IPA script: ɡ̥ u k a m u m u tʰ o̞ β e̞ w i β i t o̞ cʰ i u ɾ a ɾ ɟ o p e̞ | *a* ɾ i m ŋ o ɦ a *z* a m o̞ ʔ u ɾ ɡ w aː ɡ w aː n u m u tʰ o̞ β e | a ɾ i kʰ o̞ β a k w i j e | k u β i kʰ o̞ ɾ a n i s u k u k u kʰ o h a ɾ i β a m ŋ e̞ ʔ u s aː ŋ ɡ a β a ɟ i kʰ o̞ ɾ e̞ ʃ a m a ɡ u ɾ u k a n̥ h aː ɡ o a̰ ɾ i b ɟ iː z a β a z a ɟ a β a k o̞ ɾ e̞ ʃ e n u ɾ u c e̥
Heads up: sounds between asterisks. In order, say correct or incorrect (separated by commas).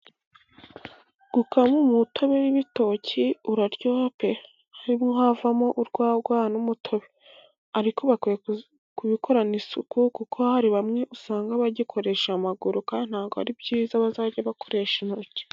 correct, incorrect